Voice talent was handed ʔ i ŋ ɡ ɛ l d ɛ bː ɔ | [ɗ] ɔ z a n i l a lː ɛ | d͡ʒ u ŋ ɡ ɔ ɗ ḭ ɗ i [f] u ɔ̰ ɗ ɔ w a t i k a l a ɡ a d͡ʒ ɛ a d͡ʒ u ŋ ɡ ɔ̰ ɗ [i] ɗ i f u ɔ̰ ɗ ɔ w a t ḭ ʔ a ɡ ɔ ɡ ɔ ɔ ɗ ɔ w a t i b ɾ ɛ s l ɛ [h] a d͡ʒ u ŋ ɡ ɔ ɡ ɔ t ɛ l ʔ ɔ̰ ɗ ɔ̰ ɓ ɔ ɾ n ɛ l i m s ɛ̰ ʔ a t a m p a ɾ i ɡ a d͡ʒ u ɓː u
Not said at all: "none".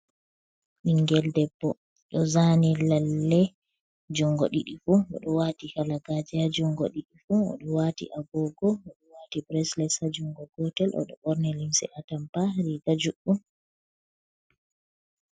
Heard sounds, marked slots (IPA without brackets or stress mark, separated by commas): ɗ, f, i, s